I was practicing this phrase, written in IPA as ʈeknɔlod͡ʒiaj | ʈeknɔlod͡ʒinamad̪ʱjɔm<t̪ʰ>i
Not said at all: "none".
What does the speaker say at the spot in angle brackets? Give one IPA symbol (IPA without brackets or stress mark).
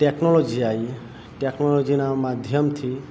t̪ʰ